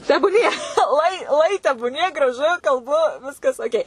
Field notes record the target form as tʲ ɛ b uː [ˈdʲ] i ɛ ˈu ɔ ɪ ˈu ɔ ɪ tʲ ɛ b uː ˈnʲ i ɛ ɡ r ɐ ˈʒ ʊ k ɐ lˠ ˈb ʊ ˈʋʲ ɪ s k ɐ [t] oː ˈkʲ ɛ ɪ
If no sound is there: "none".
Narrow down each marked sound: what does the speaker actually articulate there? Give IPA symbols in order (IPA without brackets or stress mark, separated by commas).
nʲ, s